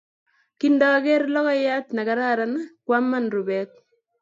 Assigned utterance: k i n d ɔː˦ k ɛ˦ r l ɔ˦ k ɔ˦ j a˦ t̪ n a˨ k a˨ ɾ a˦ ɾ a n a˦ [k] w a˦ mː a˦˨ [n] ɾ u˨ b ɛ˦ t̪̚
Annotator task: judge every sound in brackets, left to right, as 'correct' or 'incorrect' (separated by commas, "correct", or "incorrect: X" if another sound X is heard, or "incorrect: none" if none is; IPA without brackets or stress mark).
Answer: correct, correct